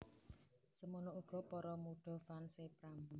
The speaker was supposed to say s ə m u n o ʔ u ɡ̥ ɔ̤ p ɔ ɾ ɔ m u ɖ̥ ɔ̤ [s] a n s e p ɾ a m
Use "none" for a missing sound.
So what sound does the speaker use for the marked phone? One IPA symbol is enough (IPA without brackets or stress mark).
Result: f